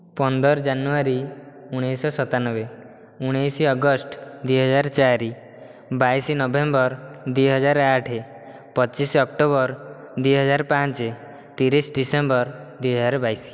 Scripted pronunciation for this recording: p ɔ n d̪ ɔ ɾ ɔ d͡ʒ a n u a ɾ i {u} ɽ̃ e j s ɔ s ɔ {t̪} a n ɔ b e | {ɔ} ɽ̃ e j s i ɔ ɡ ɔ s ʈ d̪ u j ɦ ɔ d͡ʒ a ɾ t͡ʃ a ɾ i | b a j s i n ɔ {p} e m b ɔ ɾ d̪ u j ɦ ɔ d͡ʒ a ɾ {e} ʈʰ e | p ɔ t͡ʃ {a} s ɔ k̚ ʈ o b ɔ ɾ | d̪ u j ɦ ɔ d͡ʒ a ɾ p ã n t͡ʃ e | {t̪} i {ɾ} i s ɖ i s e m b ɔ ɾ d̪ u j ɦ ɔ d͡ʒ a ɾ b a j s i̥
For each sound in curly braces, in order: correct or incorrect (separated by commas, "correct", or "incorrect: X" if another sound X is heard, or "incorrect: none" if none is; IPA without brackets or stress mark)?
correct, correct, incorrect: u, incorrect: b, incorrect: a, incorrect: i, correct, correct